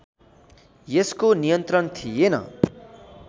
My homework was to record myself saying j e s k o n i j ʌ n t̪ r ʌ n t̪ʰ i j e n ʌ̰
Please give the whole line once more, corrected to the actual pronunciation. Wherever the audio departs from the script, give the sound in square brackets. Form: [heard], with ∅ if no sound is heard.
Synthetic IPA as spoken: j e s k o n i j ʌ n t̪ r ʌ n t̪ʰ i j e n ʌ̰